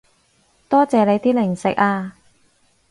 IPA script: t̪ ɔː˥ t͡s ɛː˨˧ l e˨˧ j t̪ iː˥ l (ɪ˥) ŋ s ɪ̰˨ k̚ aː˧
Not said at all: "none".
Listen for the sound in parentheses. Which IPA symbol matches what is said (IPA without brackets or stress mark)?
ɪ˨˩